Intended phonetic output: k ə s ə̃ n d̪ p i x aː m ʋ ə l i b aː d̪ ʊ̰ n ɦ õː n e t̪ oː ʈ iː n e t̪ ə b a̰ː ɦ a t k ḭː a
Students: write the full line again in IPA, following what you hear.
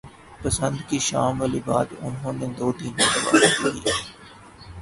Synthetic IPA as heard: p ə s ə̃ n d̪ k i ʃ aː m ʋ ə l i b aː d̪ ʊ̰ n ɦ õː n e d̪ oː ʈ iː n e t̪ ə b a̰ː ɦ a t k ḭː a

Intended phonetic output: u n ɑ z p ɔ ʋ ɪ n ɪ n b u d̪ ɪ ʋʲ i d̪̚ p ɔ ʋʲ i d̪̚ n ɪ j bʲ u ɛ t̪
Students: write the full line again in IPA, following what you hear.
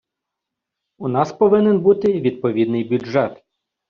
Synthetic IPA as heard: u n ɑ s p ɔ ʋ ɪ n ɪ n b u t̪ ɪ ʋʲ i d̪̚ p ɔ ʋʲ i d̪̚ n ɪ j bʲ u ɛ t̪

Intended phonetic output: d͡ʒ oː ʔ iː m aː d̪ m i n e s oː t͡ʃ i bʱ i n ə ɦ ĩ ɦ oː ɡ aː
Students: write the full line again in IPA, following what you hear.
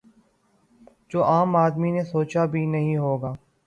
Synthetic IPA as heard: d͡ʒ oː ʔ aː m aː d̪ m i n e s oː t͡ʃ a bʱ i n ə ɦ ĩ ɦ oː ɡ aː

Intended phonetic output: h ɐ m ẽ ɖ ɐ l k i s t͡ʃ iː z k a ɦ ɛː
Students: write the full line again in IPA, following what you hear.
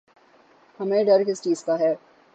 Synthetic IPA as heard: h ɐ m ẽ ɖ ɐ ɾ k ɪ s t͡ʃ iː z k a ɦ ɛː

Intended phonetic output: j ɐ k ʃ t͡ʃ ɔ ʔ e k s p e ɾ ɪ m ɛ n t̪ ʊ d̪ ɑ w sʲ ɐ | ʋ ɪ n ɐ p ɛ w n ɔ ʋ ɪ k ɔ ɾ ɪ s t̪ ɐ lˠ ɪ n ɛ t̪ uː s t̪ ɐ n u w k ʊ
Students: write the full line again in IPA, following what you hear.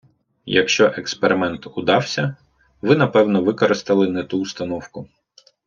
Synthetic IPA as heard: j ɐ k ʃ t͡ʃ ɔ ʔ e k s p e ɾ ɪ m ɛ n t̪ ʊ d̪ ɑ w sʲ ɐ | ʋ ɪ n ɐ p ɛ w n ɔ ʋ ɪ k ɔ ɾ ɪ s t̪ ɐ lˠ ɪ n ɛ t̪ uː s t̪ ɐ n ɔ w k ʊ

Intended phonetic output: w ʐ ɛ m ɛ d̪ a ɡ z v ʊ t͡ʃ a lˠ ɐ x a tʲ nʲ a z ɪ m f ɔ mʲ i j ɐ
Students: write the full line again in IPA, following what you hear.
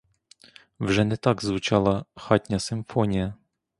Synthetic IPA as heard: w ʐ ɛ n ɛ t̪ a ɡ z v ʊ t͡ʃ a lˠ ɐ x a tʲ nʲ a s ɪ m f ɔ nʲ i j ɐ

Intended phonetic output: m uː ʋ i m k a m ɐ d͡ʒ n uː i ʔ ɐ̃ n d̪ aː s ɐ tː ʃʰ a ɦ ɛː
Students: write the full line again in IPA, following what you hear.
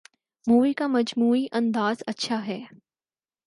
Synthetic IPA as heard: m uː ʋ i k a m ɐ d͡ʒ m uː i ʔ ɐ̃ n d̪ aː z ɐ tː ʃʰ a ɦ ɛː

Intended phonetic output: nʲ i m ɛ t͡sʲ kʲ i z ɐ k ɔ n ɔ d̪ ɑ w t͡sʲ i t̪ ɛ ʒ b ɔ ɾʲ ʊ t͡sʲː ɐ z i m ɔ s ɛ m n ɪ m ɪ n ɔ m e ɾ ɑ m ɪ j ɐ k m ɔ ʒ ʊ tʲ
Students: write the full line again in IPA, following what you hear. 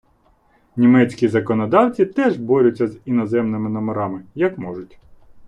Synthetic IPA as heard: nʲ i m ɛ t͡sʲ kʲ i z ɐ k ɔ n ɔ d̪ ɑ w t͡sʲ i t̪ ɛ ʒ b ɔ ɾʲ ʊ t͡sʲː ɐ z i n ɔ z ɛ m n ɪ m ɪ n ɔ m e ɾ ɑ m ɪ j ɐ k m ɔ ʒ ʊ tʲ

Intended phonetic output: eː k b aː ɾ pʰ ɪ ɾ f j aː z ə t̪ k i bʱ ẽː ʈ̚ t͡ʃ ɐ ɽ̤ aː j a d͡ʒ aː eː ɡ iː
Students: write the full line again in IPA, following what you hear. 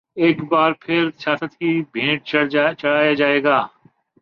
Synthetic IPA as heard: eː k b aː ɾ pʰ ɪ ɾ s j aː s ə t̪ k i bʱ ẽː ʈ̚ t͡ʃ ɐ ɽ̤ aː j a d͡ʒ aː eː ɡ aː

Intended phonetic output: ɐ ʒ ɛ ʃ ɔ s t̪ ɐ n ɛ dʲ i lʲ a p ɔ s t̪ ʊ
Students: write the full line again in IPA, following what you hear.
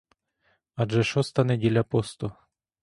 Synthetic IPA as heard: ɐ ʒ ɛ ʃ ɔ s t̪ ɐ n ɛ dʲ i lʲ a p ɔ s t̪ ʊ

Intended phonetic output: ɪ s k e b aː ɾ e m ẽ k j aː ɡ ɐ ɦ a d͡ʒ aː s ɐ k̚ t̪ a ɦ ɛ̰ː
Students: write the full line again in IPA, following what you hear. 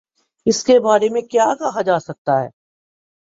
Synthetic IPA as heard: ɪ s k e b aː ɾ e m ẽ k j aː k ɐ ɦ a d͡ʒ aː s ɐ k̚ t̪ a ɦ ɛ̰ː

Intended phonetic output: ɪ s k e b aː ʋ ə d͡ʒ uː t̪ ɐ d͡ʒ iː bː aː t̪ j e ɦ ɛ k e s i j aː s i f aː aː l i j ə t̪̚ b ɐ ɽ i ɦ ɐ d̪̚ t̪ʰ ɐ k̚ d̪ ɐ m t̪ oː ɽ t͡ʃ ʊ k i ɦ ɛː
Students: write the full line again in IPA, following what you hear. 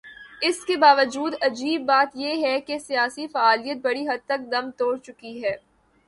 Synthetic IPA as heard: ɪ s k e b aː ʋ ə d͡ʒ uː d̪ ɐ d͡ʒ iː bː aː t̪ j e ɦ ɛ k e s i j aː s i f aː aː l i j ə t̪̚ b ɐ ɽ i ɦ ɐ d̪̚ t̪ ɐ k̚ d̪ ɐ m t̪ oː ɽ t͡ʃ ʊ k i ɦ ɛː

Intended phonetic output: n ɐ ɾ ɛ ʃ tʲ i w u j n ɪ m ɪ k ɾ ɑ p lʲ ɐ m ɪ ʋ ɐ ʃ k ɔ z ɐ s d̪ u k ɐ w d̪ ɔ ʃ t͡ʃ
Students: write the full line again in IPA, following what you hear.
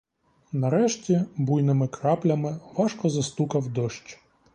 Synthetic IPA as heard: n ɐ ɾ ɛ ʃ tʲ i b u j n ɪ m ɪ k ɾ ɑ p lʲ ɐ m ɪ ʋ ɑ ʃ k ɔ z ɐ s t̪ u k ɐ w d̪ ɔ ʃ t͡ʃ

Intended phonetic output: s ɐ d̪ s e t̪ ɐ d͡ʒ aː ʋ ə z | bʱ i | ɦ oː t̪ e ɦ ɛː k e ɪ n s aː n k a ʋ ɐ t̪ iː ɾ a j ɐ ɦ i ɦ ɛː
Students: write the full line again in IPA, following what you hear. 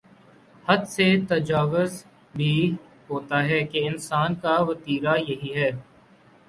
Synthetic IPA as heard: h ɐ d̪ s e t̪ ɐ d͡ʒ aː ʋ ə z | bʱ i | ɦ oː t̪ a ɦ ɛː k e ɪ n s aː n k a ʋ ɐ t̪ iː ɾ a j ɐ ɦ i ɦ ɛː

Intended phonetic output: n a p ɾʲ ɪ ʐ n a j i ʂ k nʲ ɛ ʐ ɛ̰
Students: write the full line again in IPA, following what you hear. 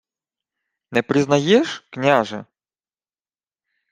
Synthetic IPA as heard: n ɛ p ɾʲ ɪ z n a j ɛ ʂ k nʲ a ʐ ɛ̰

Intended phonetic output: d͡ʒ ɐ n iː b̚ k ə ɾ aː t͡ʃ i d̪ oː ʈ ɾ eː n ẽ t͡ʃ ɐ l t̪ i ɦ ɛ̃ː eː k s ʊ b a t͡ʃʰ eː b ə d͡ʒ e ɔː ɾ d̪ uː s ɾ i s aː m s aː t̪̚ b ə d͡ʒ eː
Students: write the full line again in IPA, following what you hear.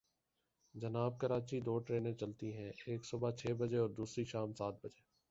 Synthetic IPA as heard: d͡ʒ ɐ n aː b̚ k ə ɾ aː t͡ʃ i d̪ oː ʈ ɾ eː n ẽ t͡ʃ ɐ l t̪ i ɦ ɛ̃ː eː k s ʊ b a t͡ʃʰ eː b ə d͡ʒ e ɔː ɾ d̪ uː s ɾ i ʃ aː m s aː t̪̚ b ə d͡ʒ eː

